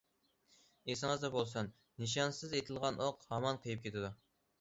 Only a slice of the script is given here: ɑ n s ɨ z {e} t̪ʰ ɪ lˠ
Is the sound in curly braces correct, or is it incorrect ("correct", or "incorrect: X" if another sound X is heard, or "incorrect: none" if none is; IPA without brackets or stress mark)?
correct